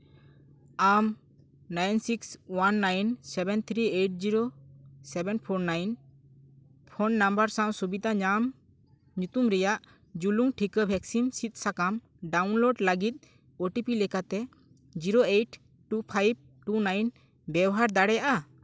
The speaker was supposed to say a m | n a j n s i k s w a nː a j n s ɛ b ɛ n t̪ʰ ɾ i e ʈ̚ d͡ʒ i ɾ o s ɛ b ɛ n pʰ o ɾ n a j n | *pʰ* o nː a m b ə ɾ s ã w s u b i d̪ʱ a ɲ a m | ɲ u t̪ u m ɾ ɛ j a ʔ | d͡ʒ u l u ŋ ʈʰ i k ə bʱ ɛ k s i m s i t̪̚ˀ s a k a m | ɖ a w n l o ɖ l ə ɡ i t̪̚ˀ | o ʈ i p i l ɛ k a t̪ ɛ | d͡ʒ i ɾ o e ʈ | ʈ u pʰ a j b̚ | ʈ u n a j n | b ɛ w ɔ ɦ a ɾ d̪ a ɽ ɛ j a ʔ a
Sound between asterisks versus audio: correct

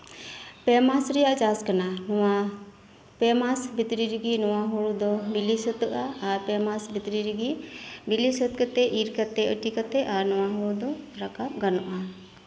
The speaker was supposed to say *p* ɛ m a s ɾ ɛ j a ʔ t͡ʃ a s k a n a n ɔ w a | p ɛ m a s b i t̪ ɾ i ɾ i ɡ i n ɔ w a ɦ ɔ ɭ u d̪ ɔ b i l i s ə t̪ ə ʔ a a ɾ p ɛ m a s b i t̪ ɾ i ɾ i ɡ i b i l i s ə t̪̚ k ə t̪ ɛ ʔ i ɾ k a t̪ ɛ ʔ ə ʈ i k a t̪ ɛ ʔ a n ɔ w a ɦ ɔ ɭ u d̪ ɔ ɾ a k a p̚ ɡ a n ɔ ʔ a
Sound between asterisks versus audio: correct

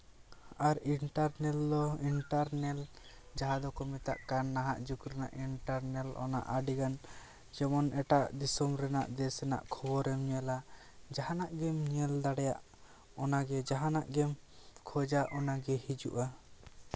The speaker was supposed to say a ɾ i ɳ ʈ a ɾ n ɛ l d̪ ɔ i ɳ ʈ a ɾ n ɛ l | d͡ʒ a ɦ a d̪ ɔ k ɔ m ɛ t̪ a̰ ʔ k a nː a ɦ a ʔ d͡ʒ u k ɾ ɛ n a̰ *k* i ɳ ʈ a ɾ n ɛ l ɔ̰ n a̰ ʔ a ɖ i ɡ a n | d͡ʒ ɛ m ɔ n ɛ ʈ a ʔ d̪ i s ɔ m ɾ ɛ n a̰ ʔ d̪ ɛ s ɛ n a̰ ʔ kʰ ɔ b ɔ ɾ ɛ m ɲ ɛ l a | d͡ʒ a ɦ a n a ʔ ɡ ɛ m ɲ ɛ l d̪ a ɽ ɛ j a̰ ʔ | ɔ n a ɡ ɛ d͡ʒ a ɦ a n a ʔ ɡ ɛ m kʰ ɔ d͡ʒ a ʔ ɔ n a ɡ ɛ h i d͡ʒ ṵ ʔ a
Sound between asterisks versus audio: incorrect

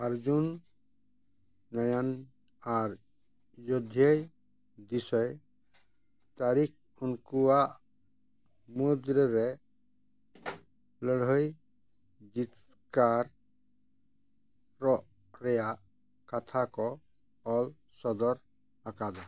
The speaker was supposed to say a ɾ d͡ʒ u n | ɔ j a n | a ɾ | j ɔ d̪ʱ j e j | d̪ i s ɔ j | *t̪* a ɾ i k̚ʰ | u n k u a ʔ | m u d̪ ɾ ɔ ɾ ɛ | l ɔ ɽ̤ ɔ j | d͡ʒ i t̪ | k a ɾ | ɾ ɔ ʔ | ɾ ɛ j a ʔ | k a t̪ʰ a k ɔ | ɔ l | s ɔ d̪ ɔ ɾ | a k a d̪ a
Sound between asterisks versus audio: correct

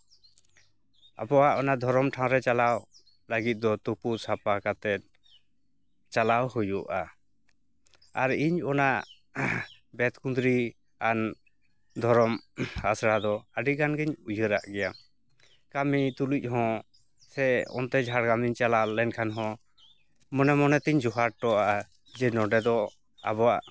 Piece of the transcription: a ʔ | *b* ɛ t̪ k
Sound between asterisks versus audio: correct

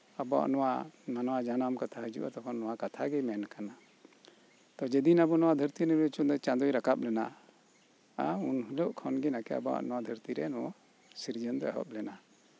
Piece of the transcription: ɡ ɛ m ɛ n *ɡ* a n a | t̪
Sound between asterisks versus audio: incorrect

